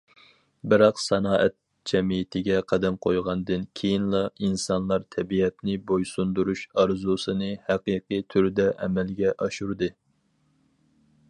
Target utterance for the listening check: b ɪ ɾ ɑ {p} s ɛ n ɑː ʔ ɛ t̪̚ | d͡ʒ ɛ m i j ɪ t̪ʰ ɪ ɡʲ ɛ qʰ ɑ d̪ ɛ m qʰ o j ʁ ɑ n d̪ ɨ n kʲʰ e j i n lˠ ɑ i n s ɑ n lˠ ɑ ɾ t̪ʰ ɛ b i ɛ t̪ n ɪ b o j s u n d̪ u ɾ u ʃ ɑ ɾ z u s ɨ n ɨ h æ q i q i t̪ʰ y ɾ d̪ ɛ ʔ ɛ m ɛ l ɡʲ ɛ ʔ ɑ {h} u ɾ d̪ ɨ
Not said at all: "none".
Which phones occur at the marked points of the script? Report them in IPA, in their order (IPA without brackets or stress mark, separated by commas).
q, ʃ